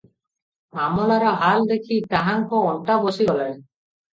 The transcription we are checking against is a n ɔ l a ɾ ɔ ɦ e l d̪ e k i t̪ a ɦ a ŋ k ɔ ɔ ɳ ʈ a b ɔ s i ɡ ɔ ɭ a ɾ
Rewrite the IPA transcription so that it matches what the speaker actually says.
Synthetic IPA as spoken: a m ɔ l a ɾ ɔ ɦ a l d̪ e kʰ i t̪ a ɦ a ŋ k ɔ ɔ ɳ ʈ a b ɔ s i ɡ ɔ l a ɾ